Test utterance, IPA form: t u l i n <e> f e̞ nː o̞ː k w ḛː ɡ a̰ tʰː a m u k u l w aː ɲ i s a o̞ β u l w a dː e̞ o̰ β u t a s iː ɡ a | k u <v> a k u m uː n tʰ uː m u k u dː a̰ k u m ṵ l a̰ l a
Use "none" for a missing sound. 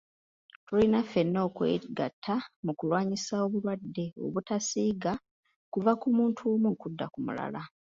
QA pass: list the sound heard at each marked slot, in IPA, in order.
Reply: a, v

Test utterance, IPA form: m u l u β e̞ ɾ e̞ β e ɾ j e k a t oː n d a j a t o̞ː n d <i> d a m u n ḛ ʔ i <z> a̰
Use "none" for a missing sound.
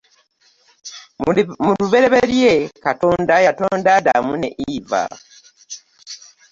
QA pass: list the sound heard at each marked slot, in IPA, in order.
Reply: a, v

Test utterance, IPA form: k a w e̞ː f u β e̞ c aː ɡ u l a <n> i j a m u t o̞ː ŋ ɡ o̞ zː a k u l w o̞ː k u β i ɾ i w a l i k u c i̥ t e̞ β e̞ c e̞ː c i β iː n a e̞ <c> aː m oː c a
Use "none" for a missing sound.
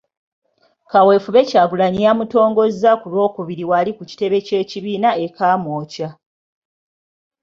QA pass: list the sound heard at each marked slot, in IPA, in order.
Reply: ɲ, k

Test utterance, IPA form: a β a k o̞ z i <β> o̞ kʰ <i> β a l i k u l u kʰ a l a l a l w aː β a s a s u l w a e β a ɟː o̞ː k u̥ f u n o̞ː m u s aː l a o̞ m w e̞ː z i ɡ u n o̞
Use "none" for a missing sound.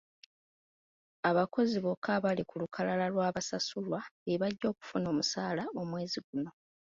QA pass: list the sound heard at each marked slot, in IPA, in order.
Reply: β, a

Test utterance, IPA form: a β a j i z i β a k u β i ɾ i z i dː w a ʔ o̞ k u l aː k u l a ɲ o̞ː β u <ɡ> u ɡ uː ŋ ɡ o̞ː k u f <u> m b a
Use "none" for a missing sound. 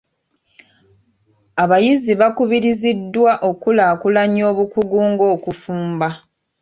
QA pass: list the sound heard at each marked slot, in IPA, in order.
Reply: k, uː

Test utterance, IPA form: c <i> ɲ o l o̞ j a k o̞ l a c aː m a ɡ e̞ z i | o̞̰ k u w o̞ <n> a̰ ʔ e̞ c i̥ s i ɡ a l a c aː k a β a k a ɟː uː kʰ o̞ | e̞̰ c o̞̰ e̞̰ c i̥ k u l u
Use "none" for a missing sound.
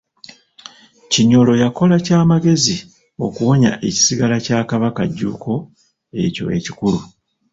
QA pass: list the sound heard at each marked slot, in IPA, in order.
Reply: i, ɲ

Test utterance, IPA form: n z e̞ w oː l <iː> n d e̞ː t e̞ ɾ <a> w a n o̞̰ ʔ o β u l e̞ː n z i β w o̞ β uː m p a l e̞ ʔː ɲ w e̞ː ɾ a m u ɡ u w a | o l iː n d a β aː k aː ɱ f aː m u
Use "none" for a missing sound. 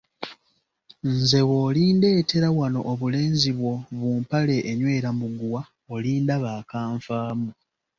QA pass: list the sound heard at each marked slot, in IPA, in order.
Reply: iː, a

